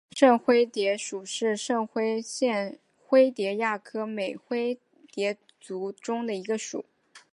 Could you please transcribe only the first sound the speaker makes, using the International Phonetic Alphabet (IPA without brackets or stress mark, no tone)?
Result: ʂ